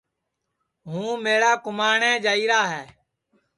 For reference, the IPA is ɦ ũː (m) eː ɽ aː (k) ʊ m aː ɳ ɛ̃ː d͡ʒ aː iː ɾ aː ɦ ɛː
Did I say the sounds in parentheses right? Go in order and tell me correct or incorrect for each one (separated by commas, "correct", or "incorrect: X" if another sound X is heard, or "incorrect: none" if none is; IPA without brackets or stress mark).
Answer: correct, correct